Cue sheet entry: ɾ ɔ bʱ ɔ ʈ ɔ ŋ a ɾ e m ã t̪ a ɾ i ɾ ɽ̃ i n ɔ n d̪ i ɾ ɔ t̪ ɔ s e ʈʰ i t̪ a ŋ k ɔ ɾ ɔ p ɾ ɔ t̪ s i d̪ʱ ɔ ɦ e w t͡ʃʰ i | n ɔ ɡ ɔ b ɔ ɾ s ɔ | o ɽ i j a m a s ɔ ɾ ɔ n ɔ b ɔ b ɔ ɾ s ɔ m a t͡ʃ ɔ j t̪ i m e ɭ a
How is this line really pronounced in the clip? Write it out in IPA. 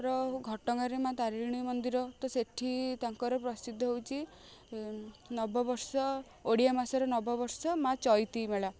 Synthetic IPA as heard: ɾ ɔ ɡʱ ɔ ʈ ɔ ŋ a ɾ e m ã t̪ a ɾ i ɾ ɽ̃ i m ɔ n d̪ i ɾ ɔ t̪ ɔ s e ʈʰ i t̪ a ŋ k ɔ ɾ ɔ p ɾ ɔ s i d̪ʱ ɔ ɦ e w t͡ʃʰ i | n ɔ b ɔ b ɔ ɾ s ɔ | o ɽ i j a m a s ɔ ɾ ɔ n ɔ b ɔ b ɔ ɾ s ɔ m a t͡ʃ ɔ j t̪ i m e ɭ a